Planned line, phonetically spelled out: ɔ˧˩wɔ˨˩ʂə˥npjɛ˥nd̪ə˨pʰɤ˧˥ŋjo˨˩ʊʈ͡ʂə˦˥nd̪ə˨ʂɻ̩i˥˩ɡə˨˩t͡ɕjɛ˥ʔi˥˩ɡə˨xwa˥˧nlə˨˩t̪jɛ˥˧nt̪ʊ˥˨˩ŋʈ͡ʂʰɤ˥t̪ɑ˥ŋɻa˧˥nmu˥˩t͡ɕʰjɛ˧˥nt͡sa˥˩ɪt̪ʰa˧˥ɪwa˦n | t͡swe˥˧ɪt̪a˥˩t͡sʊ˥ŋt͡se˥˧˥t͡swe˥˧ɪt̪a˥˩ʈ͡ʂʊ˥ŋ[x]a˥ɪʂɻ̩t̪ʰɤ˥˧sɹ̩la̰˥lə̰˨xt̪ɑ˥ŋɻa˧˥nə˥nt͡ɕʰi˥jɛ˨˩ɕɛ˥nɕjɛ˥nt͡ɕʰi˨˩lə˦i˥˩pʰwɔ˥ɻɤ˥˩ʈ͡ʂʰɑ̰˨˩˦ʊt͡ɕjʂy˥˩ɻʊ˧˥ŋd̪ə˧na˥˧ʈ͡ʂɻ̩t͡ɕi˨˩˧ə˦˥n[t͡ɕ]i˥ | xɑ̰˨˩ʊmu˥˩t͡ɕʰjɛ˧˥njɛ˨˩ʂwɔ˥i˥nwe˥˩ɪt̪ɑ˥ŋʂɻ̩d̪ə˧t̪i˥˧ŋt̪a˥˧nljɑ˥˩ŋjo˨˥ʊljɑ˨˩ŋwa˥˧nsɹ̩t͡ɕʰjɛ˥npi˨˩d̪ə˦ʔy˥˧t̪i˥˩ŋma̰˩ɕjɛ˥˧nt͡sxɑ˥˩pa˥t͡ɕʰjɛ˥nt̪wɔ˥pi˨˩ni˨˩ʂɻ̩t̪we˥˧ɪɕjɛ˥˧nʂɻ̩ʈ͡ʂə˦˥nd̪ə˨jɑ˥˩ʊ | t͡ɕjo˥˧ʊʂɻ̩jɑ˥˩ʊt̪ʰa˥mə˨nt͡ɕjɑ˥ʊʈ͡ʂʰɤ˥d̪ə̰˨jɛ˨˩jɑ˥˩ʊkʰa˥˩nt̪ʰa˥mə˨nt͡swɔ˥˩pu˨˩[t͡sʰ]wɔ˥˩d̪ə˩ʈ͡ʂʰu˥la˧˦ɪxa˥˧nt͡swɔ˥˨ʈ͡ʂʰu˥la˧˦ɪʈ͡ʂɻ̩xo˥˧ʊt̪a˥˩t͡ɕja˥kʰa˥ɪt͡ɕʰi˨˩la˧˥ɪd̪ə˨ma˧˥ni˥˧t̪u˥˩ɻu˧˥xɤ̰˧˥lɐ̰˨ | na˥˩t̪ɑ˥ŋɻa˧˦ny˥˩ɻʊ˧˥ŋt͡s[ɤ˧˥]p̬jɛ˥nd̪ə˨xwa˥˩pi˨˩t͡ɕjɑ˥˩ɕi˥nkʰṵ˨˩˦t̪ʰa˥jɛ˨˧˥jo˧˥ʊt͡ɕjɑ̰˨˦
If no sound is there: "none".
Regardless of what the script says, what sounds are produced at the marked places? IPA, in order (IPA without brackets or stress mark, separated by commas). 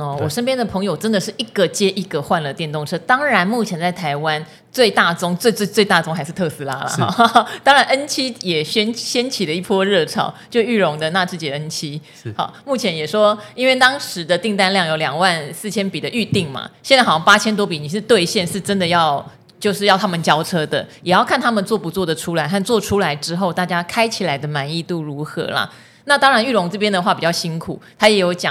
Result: x, t͡ɕʰ, t͡s, ɤ˥˩